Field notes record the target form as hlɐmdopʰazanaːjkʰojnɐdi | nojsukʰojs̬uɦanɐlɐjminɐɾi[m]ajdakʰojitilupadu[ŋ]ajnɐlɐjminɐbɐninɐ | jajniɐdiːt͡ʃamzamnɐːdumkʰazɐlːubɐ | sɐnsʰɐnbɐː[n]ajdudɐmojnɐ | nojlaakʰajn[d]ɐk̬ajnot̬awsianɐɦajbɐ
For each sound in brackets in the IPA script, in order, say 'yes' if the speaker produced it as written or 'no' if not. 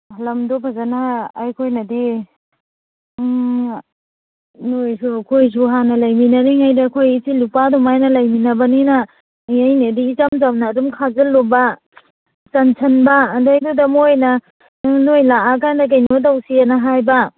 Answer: no, no, no, yes

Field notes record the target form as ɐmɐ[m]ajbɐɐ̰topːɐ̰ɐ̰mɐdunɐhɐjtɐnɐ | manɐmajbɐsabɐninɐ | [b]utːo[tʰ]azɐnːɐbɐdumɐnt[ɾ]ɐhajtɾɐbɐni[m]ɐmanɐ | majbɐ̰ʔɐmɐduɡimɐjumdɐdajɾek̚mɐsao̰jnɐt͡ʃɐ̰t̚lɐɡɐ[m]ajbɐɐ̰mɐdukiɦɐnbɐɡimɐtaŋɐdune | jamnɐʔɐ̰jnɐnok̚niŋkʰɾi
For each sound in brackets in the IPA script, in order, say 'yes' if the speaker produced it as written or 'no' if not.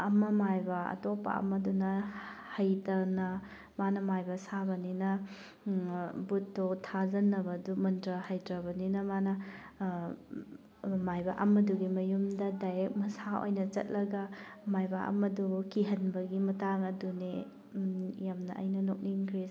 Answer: yes, yes, yes, yes, no, yes

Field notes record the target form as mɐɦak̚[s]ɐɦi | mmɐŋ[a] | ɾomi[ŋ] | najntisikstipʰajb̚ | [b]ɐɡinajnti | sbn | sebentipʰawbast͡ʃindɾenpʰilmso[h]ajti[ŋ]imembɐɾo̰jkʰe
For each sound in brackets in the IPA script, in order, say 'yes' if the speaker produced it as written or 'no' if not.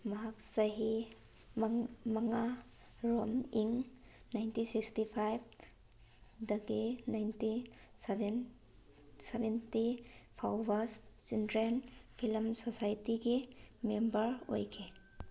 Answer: yes, yes, yes, no, no, no

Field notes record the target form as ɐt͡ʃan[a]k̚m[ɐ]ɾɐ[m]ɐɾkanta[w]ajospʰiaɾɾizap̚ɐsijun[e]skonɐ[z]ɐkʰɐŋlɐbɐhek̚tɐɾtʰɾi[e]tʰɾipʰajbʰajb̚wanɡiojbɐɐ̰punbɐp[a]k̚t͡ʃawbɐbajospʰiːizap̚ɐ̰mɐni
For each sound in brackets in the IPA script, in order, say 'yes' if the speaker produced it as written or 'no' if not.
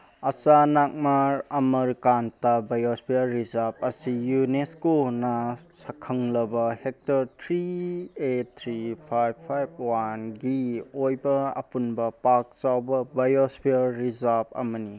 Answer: yes, no, yes, no, yes, no, yes, yes

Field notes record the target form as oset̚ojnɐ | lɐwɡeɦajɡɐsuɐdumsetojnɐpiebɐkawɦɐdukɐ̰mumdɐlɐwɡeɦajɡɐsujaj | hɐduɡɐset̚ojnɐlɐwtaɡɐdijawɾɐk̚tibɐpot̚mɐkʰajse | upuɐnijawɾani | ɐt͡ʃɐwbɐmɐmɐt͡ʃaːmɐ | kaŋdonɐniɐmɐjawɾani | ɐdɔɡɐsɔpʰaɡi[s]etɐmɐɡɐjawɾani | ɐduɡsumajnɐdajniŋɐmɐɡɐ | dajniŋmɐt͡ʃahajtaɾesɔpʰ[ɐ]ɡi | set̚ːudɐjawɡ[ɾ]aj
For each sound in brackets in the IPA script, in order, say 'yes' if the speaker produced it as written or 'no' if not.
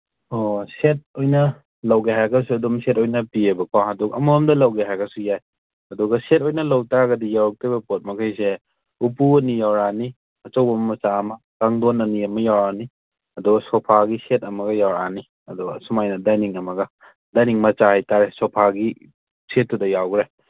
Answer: yes, no, yes

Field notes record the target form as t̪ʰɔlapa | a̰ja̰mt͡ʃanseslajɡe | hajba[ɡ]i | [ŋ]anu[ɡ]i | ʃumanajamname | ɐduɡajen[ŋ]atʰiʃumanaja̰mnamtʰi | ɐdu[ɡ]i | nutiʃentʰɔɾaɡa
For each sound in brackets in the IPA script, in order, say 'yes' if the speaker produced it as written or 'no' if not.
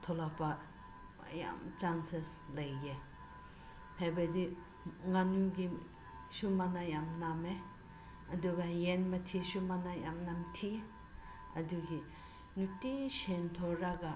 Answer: no, yes, yes, no, yes

